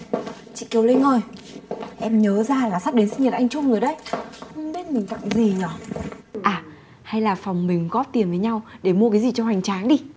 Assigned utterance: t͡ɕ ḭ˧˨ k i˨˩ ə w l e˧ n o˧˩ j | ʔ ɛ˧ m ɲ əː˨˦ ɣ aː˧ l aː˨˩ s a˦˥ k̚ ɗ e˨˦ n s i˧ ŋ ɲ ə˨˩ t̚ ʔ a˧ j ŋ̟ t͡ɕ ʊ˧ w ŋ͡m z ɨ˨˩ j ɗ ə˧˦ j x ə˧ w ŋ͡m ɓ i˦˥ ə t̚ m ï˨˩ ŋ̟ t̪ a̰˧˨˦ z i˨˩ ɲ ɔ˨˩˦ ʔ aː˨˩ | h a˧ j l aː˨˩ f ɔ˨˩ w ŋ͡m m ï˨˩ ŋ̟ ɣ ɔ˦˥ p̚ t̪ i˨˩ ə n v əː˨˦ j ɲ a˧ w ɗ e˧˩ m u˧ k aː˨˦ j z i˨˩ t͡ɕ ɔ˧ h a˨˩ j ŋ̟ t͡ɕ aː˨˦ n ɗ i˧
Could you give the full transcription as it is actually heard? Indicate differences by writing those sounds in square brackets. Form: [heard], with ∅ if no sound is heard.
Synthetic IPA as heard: t͡ɕ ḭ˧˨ k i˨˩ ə w l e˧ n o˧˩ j | ʔ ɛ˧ m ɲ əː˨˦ [z] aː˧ l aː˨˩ s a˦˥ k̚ ɗ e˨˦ n s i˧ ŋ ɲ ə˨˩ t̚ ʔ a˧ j ŋ̟ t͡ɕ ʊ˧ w ŋ͡m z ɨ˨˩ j ɗ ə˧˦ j x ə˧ w ŋ͡m ɓ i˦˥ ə t̚ m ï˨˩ ŋ̟ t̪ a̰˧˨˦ z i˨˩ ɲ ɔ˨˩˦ ʔ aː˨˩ | h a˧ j l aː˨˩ f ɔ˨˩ w ŋ͡m m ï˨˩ ŋ̟ ɣ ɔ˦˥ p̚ t̪ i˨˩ ə n v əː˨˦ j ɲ a˧ w ɗ e˧˩ m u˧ k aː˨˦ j z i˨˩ t͡ɕ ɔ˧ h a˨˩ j ŋ̟ t͡ɕ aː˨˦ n ɗ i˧